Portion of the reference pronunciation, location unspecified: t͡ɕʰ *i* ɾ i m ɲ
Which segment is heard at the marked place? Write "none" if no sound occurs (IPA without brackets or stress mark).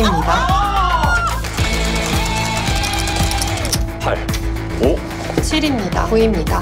i